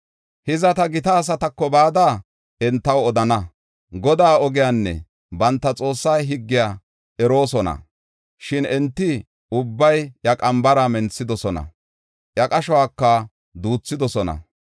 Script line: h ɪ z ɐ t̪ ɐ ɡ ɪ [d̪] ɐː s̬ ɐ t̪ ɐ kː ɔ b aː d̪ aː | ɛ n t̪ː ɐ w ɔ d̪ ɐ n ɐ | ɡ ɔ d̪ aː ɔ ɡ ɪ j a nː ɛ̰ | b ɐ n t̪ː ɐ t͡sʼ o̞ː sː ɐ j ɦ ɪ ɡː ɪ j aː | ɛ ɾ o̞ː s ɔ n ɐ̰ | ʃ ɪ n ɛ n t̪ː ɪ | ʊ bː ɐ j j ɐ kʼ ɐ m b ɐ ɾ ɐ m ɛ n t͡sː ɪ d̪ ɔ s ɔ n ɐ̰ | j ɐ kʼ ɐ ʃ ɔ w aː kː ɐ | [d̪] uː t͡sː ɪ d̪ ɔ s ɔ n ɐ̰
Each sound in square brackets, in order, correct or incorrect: incorrect, correct

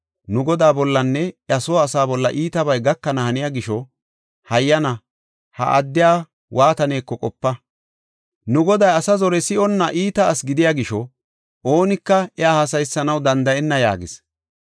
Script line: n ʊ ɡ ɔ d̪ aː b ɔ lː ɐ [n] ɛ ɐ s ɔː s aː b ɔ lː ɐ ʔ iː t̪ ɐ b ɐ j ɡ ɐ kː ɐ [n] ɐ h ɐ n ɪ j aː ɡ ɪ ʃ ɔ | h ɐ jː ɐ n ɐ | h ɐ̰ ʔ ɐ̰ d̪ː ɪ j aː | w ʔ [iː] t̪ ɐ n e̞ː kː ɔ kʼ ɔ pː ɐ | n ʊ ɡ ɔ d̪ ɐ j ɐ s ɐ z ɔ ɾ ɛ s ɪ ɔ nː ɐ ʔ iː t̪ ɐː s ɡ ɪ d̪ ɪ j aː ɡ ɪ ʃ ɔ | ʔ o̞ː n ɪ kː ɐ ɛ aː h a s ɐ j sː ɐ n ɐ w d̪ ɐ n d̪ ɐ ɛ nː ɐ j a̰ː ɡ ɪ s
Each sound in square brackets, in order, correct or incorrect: incorrect, correct, incorrect

